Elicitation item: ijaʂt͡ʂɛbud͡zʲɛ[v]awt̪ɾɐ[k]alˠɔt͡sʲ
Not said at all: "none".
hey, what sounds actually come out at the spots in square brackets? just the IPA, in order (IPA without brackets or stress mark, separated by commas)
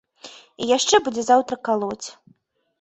z, k